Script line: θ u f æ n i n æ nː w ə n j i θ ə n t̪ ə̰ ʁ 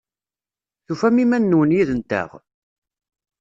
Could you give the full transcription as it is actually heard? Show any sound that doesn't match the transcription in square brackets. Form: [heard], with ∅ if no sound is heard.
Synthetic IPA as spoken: θ u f æ [m] i [m] æ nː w ə n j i [ð] ə n t̪ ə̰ ʁ